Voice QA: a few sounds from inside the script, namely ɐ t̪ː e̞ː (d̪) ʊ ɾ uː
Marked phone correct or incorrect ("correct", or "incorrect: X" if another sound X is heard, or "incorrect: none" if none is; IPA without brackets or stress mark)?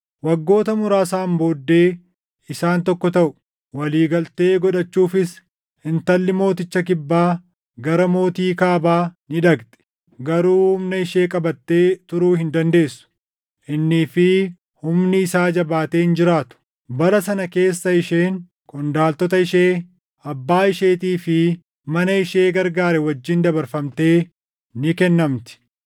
incorrect: t̪